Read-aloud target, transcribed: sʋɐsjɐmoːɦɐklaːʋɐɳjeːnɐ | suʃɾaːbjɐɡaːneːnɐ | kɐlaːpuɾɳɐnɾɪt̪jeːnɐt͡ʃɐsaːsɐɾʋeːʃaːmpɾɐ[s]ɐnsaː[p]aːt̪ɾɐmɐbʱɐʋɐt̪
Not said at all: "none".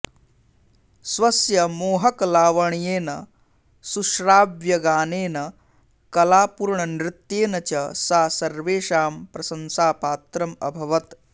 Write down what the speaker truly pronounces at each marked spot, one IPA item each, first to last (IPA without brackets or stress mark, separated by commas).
s, p